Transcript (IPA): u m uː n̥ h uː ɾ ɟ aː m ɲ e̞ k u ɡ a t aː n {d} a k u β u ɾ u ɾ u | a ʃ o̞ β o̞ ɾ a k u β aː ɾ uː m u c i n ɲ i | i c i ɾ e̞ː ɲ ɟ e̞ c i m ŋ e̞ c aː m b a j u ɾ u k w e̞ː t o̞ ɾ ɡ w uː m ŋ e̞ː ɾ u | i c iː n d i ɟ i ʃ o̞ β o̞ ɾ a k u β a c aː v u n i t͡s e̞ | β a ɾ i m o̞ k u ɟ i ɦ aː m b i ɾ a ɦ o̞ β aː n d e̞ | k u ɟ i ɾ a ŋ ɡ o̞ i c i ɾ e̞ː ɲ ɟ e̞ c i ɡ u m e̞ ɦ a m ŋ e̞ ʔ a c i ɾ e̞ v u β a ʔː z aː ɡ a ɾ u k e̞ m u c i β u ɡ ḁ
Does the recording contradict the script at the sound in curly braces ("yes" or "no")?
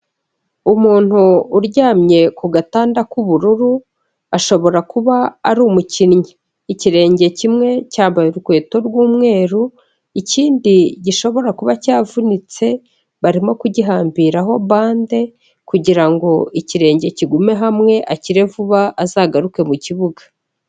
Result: no